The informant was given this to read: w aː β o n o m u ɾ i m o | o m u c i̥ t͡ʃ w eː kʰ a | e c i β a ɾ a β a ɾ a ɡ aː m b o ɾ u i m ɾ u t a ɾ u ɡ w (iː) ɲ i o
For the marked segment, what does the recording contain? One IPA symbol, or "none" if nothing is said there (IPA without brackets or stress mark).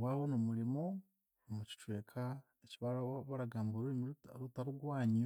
aː